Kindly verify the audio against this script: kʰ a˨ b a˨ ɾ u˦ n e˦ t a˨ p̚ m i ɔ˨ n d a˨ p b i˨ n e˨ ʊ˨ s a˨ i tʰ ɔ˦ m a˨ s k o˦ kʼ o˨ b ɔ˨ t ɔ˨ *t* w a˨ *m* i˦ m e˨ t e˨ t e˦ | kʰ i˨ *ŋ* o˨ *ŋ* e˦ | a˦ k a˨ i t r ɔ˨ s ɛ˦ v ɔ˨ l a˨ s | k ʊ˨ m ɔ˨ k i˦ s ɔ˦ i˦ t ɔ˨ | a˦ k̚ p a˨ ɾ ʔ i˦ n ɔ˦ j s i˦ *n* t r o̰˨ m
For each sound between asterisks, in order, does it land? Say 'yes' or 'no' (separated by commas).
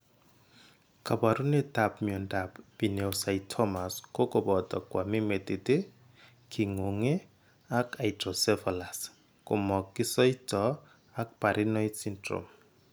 no, yes, yes, yes, yes